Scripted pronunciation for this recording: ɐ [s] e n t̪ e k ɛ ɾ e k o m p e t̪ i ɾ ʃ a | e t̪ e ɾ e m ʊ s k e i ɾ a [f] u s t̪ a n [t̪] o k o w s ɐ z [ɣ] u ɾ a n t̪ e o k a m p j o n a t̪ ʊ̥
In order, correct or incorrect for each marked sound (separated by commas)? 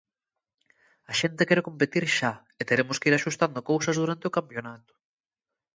incorrect, incorrect, incorrect, incorrect